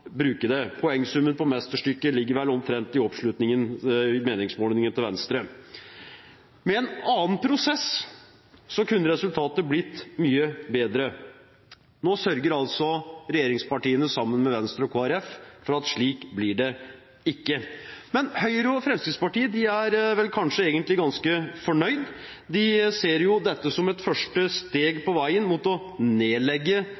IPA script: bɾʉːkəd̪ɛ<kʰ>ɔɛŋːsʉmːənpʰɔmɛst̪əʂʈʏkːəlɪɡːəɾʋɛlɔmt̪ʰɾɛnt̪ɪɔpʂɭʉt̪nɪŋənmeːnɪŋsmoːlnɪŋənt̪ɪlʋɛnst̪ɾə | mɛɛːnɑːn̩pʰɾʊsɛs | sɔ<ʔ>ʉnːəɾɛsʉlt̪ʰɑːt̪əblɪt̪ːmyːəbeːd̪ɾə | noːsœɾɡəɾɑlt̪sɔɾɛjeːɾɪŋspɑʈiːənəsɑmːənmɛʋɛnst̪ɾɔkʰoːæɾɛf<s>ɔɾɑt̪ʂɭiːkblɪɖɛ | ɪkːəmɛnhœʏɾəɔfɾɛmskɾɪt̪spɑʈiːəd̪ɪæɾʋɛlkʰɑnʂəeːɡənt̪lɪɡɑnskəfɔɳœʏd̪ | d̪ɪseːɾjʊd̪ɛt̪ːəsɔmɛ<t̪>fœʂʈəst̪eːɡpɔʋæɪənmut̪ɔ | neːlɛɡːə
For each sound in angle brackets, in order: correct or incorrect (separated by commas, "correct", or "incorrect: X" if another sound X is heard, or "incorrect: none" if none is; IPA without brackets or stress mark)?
incorrect: pʰ, incorrect: k, incorrect: f, correct